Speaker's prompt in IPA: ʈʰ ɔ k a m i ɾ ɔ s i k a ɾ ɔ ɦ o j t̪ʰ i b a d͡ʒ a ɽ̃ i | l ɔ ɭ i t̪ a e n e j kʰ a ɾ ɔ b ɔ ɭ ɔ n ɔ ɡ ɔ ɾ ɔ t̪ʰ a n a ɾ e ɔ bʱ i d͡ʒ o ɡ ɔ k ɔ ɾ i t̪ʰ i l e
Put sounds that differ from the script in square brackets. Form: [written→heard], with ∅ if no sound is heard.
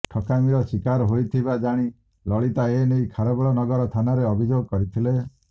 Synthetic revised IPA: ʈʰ ɔ k a m i ɾ ɔ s i k a ɾ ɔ ɦ o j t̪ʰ i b a d͡ʒ a ɽ̃ i | l ɔ ɭ i t̪ a e n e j kʰ a ɾ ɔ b ɔ ɭ ɔ n ɔ ɡ ɔ ɾ ɔ t̪ʰ a n a ɾ e ɔ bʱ i d͡ʒ o ɡ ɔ k ɔ ɾ i t̪ʰ i l e